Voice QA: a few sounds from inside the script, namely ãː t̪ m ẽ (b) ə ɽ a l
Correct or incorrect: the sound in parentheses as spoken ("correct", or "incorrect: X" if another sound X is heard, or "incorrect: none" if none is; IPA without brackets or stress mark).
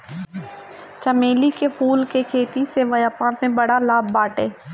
correct